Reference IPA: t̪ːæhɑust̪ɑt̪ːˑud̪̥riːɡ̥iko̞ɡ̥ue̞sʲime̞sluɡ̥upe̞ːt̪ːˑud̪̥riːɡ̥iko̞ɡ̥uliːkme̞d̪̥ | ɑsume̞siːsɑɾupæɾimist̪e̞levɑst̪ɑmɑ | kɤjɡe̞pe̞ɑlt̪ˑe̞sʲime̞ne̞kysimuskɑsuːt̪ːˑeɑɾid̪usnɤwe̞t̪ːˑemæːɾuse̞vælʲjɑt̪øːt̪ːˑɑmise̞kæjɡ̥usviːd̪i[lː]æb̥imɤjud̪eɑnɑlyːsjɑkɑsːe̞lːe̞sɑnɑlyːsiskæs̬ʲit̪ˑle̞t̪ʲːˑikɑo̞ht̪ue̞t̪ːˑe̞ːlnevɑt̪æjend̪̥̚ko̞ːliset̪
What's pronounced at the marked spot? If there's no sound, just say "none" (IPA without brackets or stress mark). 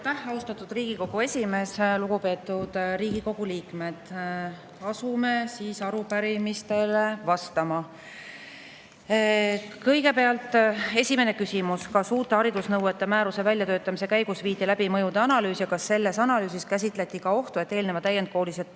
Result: l